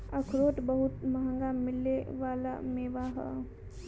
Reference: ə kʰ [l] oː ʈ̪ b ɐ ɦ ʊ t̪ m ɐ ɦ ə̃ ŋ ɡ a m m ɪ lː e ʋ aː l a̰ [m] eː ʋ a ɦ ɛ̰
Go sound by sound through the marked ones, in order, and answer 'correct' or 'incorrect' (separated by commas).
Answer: incorrect, correct